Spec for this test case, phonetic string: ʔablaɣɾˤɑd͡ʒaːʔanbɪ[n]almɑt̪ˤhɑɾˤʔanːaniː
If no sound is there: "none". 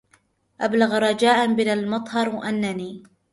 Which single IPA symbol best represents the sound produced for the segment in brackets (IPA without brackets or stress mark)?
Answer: n